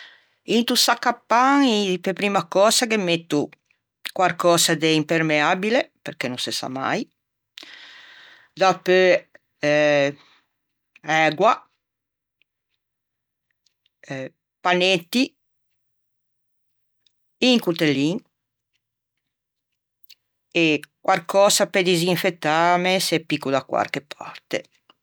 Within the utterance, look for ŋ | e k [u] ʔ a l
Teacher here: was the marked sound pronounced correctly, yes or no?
no